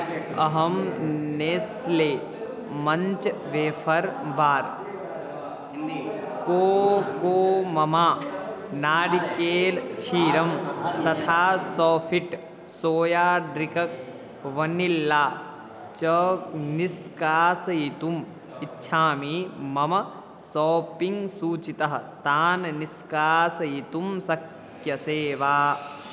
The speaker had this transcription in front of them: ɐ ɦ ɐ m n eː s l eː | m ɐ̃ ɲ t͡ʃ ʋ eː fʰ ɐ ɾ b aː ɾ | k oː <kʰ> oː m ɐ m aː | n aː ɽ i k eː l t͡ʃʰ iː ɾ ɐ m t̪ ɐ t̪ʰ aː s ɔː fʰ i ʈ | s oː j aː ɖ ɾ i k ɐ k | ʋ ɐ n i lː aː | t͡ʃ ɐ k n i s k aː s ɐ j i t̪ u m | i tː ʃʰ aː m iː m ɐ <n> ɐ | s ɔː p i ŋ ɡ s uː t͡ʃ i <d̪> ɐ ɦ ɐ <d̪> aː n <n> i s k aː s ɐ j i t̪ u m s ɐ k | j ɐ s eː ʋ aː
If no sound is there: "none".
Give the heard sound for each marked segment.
k, m, t̪, t̪, n

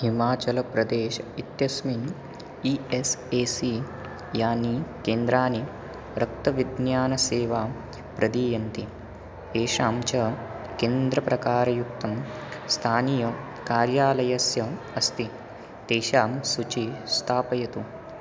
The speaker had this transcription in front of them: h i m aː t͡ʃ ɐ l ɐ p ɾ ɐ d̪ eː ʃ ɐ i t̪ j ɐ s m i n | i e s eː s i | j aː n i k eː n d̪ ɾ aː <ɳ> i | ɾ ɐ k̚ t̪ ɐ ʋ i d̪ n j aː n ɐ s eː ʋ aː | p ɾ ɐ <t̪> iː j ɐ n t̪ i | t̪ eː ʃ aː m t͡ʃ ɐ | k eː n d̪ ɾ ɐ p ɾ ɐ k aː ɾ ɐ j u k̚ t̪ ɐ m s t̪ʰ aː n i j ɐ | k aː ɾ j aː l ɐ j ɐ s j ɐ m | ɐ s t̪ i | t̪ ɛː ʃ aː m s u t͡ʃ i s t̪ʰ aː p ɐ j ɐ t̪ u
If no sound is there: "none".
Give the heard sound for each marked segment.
n, d̪

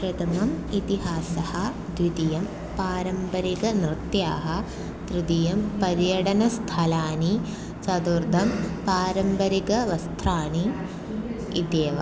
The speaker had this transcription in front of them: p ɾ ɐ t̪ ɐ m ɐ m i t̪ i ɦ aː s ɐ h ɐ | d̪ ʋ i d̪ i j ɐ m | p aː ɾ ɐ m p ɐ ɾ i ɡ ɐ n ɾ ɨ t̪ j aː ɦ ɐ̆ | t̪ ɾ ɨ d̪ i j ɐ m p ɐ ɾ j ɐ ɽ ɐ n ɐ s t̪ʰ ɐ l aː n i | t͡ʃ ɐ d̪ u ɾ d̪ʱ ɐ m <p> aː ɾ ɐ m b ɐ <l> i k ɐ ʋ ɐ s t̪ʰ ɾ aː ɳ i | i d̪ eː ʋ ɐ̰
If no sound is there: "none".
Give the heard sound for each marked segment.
p, ɾ

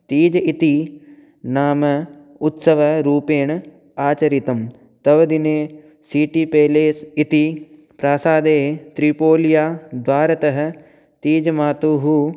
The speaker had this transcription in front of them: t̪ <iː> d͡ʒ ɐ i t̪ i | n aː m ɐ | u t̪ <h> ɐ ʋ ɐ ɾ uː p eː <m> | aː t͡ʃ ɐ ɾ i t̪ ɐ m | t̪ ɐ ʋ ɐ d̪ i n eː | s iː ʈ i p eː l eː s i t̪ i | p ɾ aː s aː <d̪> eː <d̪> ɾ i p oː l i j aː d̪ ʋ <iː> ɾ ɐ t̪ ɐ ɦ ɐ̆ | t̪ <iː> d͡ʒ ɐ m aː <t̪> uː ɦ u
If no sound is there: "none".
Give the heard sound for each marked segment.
iː, s, ɳ, d̪, t̪, aː, iː, t̪

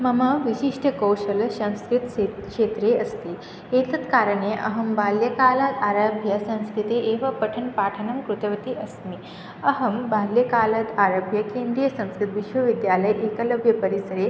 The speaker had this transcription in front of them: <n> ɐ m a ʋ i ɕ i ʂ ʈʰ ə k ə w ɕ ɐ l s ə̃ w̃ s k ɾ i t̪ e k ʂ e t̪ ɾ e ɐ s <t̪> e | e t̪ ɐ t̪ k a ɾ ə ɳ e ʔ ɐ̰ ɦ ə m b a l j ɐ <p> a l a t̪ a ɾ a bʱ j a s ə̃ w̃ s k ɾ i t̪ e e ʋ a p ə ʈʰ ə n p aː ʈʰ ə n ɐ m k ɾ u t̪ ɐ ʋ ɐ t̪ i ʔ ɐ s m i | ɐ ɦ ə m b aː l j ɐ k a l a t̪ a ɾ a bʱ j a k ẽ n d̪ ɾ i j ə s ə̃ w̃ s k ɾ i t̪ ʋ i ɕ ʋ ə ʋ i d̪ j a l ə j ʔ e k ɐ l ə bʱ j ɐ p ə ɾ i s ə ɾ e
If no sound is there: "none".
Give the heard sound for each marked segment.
m, t̪, k

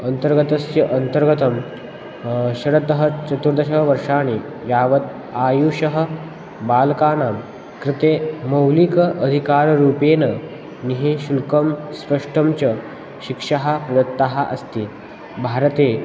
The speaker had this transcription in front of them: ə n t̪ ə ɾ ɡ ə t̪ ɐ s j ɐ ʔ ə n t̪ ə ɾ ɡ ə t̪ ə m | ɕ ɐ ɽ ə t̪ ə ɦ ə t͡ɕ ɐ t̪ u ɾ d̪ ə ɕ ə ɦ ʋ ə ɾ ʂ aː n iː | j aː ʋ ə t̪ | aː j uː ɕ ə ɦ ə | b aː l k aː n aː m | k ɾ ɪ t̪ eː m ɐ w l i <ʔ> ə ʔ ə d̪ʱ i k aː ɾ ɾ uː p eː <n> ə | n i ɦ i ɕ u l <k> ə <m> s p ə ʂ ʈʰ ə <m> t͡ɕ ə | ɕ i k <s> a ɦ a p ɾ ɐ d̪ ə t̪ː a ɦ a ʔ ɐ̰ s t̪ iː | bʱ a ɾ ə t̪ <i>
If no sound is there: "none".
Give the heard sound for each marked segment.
k, n, k, m, m, ʂ, e

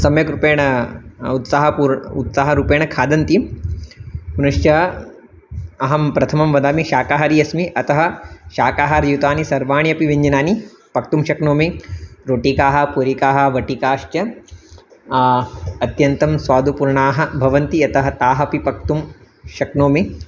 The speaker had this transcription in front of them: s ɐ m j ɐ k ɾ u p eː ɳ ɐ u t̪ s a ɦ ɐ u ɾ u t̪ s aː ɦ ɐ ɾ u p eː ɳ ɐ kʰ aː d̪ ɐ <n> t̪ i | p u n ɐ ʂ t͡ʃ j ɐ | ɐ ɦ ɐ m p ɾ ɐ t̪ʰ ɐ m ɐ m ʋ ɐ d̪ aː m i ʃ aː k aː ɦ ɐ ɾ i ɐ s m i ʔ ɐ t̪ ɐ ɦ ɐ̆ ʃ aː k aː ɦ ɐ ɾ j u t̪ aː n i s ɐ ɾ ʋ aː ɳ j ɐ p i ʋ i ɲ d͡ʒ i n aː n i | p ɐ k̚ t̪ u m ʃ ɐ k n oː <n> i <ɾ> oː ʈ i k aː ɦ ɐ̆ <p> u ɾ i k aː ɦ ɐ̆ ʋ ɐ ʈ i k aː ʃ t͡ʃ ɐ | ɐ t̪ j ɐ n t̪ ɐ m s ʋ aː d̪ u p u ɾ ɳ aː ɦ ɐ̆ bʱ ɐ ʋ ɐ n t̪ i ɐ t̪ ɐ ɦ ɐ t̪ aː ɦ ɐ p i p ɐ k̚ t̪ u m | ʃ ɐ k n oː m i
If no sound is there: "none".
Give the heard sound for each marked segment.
n, m, ɾ, p

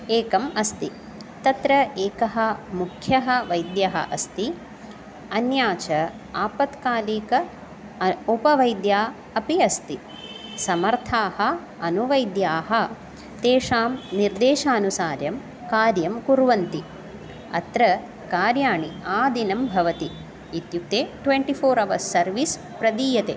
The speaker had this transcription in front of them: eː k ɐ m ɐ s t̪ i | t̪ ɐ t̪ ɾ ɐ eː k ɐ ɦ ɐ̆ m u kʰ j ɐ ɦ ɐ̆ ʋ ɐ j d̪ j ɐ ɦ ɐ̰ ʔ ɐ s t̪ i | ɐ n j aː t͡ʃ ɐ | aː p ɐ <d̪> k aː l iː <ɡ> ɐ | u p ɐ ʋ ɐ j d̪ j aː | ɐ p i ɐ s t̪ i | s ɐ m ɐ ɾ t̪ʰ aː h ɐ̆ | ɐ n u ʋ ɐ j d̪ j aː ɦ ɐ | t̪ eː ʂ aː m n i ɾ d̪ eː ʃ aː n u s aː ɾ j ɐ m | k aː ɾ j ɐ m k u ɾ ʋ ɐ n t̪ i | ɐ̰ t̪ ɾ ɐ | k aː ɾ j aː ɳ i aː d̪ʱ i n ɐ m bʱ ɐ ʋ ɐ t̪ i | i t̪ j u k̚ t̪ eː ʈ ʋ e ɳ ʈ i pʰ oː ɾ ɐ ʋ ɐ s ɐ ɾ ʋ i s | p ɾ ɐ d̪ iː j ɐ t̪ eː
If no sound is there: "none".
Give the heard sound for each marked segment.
t̪, k

